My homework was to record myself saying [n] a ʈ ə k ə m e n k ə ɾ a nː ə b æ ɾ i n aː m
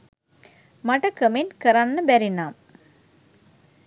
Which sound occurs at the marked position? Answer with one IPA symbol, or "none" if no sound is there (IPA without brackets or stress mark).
m